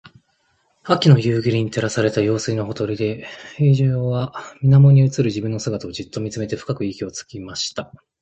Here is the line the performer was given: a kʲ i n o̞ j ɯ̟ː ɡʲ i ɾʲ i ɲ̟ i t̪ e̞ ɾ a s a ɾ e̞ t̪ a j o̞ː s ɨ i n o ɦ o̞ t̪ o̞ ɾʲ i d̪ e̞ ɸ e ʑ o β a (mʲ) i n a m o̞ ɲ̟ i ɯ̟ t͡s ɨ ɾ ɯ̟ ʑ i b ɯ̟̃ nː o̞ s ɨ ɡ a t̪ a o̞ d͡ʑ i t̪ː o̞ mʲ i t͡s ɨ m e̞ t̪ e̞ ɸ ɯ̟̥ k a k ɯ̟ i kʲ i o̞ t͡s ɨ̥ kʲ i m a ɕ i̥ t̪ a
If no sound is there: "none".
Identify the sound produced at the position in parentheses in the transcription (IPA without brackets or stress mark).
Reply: mʲ